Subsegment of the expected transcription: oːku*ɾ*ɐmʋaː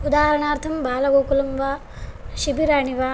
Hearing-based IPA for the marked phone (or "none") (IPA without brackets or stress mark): l